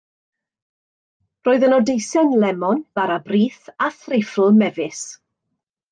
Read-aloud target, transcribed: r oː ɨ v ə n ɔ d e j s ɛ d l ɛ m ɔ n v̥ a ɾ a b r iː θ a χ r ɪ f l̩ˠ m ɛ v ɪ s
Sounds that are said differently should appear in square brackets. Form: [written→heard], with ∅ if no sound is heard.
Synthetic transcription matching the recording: r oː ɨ [v→ð] ə n ɔ d e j s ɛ [d→n] l ɛ m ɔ n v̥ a ɾ a b r iː θ a [χ→θ] r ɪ f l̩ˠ m ɛ v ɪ s